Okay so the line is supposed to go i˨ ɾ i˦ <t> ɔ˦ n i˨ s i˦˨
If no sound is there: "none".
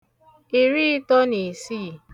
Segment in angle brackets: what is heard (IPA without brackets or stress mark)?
t